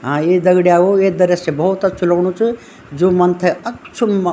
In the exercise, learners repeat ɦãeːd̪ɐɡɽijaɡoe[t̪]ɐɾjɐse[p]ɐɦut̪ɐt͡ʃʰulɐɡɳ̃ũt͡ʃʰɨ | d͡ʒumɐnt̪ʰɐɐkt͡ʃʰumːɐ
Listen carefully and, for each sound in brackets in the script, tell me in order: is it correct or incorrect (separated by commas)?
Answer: incorrect, incorrect